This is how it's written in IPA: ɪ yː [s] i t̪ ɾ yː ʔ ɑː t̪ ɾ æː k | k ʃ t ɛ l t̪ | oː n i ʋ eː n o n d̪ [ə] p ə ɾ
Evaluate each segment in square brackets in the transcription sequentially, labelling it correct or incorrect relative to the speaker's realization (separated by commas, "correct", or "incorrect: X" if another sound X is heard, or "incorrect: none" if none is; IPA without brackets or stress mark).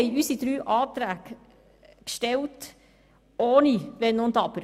correct, incorrect: ɑ